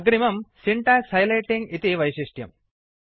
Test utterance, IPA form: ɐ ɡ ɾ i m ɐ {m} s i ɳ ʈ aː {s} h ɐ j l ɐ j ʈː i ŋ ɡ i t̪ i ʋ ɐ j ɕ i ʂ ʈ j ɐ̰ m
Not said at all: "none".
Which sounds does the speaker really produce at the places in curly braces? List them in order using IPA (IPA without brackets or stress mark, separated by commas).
m, s